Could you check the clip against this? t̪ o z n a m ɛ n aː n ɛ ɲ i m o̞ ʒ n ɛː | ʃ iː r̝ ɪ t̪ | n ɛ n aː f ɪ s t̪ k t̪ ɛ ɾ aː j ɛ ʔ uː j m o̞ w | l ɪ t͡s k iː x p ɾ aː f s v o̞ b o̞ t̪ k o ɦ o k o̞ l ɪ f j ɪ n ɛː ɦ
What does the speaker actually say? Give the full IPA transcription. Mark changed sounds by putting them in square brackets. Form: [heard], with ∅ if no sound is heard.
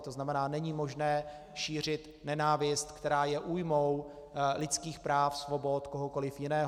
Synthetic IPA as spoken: t̪ o z n a m ɛ n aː n ɛ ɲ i m o̞ ʒ n ɛː | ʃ iː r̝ ɪ t̪ | n ɛ n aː [v] ɪ s t̪ k t̪ ɛ ɾ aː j ɛ ʔ uː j m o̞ w | l ɪ t͡s k iː x p ɾ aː f s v o̞ b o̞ t̪ k o ɦ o k o̞ l ɪ f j ɪ n ɛː ɦ